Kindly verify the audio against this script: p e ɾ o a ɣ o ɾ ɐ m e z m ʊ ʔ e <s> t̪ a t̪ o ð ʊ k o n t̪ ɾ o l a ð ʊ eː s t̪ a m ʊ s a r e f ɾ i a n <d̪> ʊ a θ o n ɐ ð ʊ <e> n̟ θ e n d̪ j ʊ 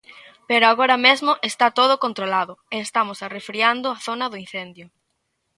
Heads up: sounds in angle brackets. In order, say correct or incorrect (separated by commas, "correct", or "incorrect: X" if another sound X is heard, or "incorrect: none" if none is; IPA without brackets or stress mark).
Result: correct, correct, incorrect: i